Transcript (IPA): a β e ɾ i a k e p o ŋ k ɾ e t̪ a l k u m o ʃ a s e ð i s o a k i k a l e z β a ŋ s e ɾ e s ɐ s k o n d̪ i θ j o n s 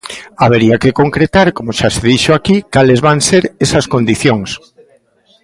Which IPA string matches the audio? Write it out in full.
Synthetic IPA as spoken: a β e ɾ i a k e k o ŋ k ɾ e t̪ a ɾ k o m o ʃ a s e ð i ʃ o a k i k a l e z β a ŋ s e ɾ e s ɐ s k o n d̪ i θ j o ŋ s